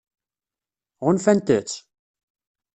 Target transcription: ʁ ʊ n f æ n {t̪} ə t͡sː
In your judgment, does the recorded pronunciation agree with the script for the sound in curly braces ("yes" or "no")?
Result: yes